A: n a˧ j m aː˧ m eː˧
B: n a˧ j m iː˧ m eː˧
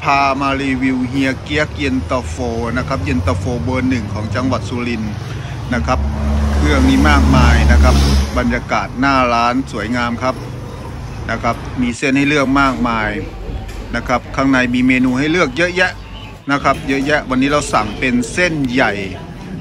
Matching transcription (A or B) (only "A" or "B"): B